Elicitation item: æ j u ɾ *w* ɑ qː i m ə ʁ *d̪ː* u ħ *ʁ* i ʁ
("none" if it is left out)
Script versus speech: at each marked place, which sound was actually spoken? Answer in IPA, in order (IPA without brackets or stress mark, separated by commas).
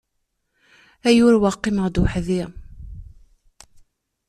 w, d̪, ð